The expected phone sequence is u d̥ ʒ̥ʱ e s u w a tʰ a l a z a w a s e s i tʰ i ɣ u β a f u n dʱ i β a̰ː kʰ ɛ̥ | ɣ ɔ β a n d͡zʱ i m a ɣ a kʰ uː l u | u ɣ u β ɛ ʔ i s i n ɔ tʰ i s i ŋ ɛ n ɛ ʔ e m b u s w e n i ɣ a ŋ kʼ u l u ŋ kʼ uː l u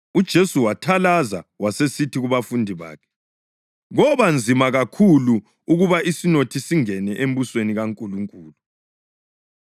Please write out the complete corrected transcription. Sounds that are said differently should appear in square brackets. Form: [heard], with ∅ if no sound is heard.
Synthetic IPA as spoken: u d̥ ʒ̥ʱ e s u w a tʰ a l a z a w a s e s i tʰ i ɣ u β a f u n dʱ i β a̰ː kʰ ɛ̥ | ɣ ɔ β a n d͡zʱ i m a ɣ a kʰ [u] l u | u ɣ u β [a] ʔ i s i n [o] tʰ i s i ŋ ɛ n ɛ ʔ e m b u s w e n i ɣ a ŋ kʼ u l u ŋ kʼ uː l u